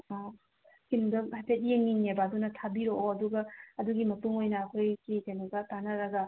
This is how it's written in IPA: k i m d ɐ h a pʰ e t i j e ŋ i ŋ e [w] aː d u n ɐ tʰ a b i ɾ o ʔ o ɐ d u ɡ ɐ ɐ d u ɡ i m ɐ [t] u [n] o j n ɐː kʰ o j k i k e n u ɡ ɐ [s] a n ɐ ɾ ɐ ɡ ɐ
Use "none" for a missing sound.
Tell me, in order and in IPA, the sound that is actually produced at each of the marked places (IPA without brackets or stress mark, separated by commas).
b, t, ŋ, t